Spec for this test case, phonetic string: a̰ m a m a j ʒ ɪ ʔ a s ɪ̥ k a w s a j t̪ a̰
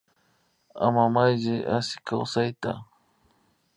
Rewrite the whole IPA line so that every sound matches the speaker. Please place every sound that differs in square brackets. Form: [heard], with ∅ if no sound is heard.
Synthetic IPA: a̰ m a m a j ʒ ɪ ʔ a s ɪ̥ k a w s a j t̪ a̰